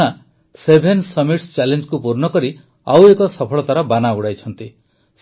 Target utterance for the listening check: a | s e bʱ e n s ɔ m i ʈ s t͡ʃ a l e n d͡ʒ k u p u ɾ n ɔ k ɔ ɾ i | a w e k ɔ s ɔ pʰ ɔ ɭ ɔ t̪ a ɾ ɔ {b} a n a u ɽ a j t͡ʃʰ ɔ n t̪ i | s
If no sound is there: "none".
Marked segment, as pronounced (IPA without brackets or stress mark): b